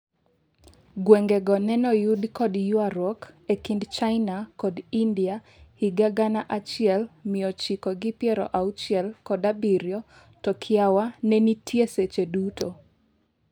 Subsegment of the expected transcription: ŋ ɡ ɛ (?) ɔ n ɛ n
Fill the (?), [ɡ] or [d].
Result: ɡ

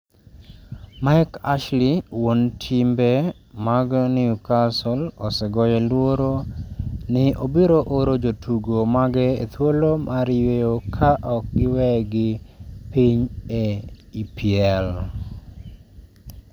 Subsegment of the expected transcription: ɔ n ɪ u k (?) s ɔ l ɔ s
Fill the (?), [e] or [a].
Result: a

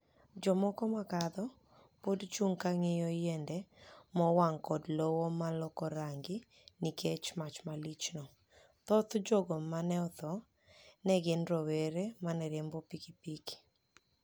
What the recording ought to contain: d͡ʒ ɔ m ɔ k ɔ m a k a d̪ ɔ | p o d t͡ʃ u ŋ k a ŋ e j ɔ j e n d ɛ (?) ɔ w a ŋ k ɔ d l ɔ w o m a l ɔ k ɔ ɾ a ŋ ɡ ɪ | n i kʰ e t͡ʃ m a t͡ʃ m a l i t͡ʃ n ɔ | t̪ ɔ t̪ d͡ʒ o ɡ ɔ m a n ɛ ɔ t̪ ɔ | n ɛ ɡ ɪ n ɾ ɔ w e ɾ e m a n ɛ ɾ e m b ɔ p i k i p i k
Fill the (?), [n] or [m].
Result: m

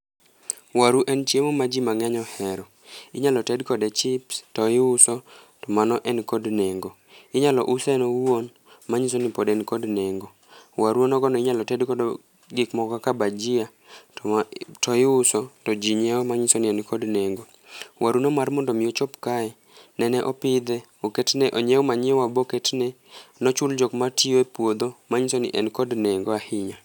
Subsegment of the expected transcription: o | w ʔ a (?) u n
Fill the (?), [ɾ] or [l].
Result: ɾ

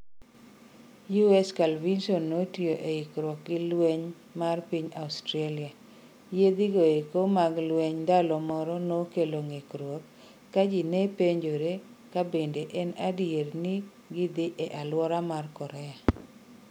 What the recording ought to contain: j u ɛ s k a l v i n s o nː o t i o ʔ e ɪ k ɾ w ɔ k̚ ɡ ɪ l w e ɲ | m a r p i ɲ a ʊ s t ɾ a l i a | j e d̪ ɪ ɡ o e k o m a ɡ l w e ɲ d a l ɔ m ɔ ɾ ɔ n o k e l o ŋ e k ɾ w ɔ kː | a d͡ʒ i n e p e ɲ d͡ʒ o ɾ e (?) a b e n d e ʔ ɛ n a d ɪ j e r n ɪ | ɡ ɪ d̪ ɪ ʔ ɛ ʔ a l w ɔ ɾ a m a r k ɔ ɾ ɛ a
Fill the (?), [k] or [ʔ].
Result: k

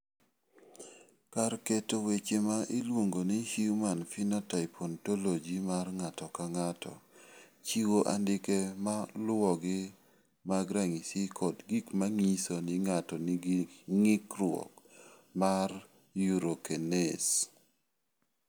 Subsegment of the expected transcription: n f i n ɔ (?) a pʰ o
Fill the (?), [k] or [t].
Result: t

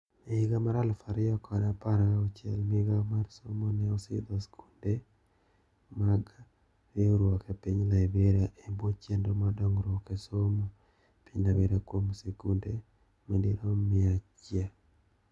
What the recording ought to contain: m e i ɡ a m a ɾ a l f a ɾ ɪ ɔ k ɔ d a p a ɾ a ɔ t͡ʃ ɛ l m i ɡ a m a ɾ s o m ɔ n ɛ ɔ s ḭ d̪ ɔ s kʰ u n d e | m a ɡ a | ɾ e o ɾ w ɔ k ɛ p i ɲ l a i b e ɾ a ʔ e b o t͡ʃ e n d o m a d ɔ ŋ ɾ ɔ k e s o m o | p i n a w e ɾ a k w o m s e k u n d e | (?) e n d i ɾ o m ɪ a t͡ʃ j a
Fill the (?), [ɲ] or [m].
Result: m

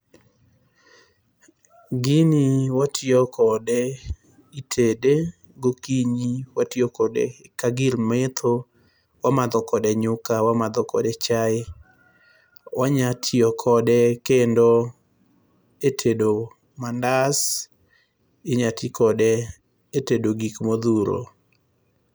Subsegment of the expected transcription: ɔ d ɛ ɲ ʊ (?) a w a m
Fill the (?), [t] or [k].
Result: k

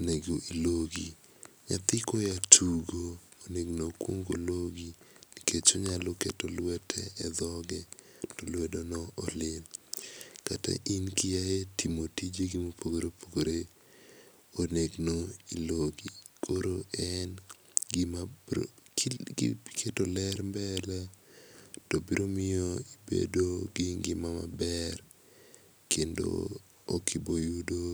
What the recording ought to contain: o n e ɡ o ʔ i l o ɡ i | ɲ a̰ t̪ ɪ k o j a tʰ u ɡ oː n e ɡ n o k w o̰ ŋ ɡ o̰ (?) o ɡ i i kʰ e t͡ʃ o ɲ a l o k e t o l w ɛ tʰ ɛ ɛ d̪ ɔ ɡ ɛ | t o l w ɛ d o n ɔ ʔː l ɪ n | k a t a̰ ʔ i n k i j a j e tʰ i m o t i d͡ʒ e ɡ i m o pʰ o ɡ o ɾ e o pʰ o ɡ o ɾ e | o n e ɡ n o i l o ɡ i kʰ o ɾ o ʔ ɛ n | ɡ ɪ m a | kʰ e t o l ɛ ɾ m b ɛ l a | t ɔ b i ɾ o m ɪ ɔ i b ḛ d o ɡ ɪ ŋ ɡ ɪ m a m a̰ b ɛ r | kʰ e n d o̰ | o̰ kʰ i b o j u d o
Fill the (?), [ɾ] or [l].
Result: l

